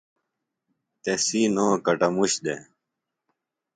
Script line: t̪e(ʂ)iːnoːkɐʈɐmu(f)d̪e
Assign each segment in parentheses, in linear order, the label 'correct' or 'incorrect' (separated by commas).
incorrect, incorrect